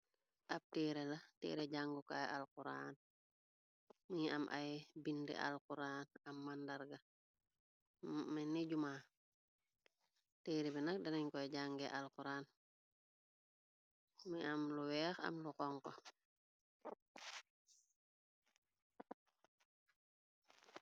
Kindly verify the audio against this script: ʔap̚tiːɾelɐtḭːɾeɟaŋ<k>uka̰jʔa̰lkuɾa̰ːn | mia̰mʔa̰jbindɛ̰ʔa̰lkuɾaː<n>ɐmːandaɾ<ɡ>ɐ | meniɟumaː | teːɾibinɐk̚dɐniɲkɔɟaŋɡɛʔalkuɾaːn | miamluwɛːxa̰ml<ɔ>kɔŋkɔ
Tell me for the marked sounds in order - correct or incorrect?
incorrect: ɡ, correct, correct, incorrect: u

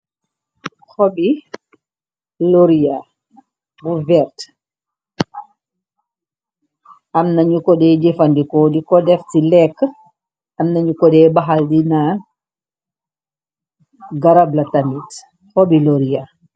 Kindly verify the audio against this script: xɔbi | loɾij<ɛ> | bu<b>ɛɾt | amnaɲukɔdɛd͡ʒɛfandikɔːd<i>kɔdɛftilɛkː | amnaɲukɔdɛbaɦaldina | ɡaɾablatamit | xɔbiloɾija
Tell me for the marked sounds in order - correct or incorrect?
incorrect: a, incorrect: v, correct

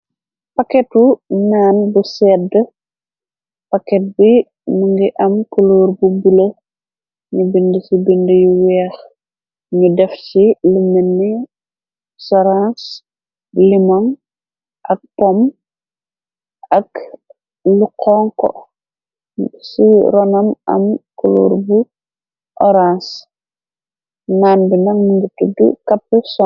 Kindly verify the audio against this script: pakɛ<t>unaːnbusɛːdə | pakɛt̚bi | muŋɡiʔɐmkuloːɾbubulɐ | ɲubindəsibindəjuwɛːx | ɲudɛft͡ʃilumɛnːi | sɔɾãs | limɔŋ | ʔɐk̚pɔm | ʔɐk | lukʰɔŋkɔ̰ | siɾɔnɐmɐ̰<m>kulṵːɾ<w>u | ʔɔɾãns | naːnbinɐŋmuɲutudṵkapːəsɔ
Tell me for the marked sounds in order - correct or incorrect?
correct, correct, incorrect: b

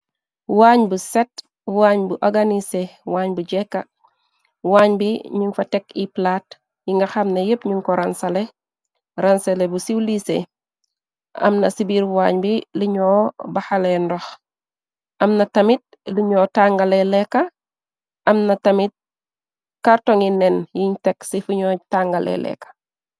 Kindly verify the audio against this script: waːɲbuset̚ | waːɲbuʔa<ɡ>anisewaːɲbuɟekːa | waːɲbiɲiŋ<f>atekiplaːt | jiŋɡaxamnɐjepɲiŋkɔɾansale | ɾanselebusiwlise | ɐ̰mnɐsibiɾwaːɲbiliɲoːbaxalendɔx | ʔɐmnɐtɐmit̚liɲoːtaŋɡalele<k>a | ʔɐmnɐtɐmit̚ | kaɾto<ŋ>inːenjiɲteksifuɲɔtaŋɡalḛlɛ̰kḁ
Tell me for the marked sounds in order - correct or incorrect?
correct, correct, correct, correct

